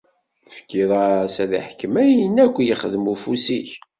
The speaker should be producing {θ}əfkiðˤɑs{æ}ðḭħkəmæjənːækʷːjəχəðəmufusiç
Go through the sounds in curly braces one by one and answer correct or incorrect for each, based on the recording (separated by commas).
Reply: correct, correct